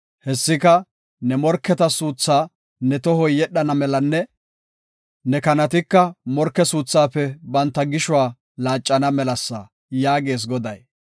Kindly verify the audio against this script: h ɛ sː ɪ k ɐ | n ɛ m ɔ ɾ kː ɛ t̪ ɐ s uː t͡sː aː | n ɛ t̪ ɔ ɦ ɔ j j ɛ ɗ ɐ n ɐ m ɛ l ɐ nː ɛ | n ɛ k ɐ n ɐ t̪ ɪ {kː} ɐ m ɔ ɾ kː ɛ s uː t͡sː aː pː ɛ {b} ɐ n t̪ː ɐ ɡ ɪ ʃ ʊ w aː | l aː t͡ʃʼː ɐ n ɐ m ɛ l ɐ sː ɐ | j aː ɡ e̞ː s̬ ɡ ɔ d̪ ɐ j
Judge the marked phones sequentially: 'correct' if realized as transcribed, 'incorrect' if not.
correct, correct

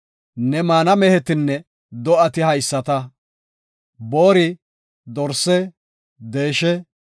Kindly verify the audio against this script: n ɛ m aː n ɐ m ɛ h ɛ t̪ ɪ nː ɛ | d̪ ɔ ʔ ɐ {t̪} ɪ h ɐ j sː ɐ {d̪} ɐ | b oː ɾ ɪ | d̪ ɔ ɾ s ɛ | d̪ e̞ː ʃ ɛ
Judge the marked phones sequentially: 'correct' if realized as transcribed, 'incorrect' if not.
correct, incorrect: t̪

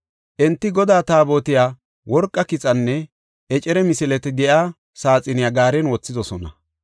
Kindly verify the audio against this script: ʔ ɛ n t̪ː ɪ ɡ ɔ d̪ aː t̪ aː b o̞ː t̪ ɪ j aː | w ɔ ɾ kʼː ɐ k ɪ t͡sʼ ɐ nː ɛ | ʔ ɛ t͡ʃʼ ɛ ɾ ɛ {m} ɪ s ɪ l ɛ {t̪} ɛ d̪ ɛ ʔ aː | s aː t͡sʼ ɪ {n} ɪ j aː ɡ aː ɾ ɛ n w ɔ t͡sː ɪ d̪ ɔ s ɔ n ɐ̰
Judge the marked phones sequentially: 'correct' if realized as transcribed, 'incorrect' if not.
correct, correct, correct

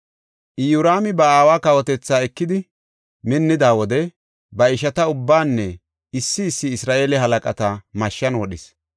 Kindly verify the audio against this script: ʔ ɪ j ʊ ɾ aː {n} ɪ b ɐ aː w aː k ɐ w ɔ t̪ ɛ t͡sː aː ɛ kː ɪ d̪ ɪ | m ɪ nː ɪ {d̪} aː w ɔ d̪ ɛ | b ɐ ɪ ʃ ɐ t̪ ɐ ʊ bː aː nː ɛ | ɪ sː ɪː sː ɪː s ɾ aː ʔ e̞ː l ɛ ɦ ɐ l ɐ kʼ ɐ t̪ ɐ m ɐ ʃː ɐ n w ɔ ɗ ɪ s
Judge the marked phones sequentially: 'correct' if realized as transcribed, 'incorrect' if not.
incorrect: m, correct

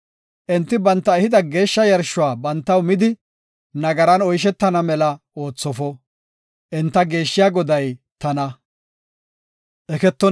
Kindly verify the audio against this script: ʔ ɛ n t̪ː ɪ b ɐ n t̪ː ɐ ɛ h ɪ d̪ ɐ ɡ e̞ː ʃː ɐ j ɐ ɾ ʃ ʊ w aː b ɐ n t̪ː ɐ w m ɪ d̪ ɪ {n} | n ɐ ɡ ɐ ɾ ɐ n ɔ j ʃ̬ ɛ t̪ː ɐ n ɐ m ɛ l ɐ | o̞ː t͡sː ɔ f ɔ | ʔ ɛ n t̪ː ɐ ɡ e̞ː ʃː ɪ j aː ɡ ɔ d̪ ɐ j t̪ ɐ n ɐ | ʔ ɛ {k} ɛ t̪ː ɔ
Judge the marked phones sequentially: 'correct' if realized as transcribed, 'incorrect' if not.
incorrect: none, correct

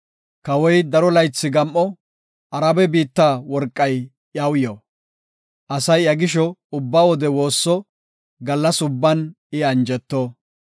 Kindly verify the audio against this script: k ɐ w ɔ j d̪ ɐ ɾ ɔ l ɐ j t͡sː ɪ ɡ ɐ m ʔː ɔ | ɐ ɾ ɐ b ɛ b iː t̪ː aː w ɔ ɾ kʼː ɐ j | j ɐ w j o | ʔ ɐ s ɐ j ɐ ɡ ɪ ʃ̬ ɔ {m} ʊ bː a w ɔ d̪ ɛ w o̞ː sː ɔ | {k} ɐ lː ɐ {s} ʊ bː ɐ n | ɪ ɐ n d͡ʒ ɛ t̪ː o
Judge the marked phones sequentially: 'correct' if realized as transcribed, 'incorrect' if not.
incorrect: none, incorrect: ɡ, correct

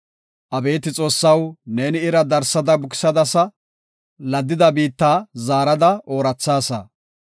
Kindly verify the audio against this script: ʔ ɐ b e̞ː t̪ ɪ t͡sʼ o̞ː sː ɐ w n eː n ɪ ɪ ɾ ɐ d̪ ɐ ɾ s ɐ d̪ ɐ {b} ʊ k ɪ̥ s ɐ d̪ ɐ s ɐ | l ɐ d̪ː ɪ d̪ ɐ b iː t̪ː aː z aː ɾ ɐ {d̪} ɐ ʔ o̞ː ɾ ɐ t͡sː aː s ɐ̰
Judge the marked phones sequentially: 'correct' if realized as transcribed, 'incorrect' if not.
correct, correct

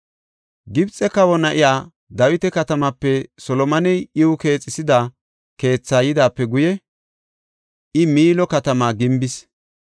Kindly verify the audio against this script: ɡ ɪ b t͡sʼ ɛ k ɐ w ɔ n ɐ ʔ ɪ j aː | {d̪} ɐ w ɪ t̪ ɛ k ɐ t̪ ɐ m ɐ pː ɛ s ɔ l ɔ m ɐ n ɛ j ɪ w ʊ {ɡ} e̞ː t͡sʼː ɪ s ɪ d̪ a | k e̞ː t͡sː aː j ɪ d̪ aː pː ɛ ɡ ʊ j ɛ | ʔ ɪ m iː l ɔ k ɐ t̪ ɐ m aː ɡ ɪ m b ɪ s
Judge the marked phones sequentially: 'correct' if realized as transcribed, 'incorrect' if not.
correct, incorrect: k

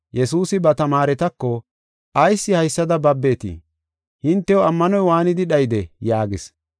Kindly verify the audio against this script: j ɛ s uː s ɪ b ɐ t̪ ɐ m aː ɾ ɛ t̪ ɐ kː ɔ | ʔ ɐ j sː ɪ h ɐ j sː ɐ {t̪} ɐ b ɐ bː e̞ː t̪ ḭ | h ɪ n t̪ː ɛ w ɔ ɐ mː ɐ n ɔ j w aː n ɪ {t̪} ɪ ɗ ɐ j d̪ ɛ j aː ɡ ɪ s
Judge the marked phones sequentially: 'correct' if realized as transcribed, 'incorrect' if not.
incorrect: d̪, incorrect: d̪

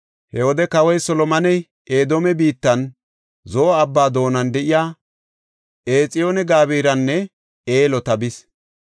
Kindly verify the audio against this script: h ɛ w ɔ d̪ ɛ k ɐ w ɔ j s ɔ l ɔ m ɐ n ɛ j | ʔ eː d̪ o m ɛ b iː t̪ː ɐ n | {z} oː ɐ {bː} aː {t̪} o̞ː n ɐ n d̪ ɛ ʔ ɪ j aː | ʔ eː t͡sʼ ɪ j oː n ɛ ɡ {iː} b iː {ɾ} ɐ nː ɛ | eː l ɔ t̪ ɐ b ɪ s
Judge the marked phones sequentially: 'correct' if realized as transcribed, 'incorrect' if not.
correct, correct, incorrect: d̪, incorrect: aː, correct

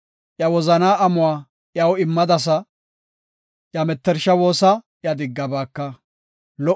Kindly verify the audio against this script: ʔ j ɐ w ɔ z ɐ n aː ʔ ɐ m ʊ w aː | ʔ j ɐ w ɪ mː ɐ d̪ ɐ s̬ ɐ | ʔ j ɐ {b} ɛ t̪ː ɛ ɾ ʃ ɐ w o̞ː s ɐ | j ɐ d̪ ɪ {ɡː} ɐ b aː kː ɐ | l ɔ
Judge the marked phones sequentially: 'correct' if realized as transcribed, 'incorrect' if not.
incorrect: m, correct

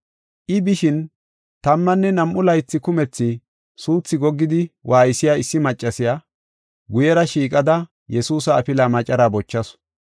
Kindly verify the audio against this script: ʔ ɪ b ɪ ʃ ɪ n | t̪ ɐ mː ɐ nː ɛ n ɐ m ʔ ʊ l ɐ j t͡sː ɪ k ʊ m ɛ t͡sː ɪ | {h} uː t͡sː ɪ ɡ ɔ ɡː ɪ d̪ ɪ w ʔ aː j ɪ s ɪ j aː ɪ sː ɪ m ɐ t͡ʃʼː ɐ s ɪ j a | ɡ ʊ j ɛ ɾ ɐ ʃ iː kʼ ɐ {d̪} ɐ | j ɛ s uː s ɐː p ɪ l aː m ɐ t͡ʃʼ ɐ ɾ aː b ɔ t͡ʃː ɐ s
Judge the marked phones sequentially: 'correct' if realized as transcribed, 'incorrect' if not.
incorrect: s, correct

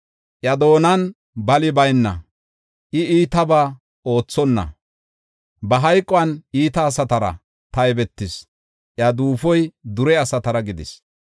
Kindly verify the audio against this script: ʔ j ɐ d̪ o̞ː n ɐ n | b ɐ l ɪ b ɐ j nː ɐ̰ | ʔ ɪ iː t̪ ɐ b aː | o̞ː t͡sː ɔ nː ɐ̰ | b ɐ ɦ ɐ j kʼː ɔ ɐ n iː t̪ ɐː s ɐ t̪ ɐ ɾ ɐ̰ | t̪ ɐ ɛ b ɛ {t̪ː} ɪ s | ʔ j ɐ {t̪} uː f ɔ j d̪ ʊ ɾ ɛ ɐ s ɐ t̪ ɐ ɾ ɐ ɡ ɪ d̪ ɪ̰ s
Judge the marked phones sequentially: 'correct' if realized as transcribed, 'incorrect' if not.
correct, incorrect: d̪

